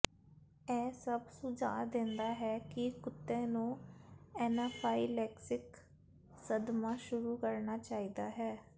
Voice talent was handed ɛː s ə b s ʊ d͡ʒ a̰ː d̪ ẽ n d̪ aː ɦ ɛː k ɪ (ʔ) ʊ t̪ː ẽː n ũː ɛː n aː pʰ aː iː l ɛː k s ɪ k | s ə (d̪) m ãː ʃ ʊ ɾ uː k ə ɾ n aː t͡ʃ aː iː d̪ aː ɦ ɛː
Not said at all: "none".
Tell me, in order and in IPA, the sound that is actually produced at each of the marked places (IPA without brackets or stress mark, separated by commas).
k, d̪